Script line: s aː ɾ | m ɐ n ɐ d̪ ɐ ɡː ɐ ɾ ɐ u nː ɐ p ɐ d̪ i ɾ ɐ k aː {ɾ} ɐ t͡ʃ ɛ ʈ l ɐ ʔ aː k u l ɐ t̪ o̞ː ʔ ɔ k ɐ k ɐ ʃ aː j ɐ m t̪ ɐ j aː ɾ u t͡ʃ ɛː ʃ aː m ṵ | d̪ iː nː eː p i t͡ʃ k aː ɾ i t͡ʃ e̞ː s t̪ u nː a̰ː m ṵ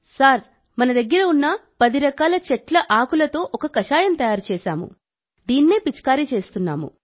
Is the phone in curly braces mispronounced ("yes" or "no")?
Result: yes